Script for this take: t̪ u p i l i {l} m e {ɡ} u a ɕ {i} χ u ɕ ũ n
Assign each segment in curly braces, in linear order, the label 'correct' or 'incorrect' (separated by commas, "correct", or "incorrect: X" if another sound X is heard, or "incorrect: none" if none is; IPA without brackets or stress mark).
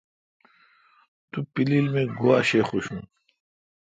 correct, correct, incorrect: e